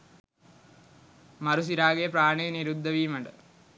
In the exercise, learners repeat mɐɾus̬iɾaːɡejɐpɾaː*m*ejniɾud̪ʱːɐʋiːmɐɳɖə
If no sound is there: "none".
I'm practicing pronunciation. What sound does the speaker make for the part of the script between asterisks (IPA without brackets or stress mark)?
ɳ